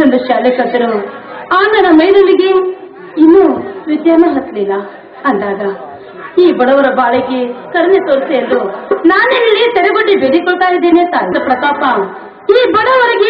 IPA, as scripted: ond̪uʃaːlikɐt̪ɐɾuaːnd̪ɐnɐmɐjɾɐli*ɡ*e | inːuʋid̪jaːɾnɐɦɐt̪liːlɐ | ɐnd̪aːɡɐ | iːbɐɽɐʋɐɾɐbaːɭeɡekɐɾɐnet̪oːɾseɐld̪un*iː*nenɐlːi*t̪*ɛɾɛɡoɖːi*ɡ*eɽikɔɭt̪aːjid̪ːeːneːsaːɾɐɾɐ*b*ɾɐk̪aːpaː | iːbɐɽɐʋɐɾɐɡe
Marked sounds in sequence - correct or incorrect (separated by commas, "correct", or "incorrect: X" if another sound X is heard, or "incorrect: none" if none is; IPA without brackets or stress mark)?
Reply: correct, incorrect: aː, correct, incorrect: b, incorrect: p